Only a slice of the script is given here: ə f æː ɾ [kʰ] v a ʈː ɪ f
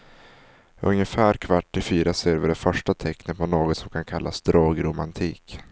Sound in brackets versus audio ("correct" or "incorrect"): correct